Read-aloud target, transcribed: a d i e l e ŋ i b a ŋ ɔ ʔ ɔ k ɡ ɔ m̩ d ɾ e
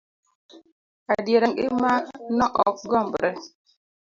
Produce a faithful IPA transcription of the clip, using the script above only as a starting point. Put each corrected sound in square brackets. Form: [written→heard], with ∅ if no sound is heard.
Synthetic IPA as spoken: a d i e [l→ɾ] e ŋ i [b→m] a [ŋ→n] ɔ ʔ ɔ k ɡ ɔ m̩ [d→b] ɾ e